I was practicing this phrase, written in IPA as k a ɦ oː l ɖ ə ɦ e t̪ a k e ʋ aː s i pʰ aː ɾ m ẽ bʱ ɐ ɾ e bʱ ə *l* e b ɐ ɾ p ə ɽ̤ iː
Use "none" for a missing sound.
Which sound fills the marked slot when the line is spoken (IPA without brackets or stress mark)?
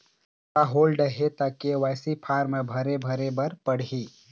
ɾ